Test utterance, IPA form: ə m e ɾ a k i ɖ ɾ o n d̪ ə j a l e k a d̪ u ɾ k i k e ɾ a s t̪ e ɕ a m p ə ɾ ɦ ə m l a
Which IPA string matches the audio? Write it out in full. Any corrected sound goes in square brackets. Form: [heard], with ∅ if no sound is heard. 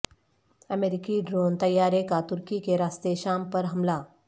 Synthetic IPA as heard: ə m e ɾ [i] k i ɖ ɾ o n [t̪] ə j a [ɾ] e k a [t̪] u ɾ k i k e ɾ a s t̪ e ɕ a m p ə ɾ ɦ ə m l a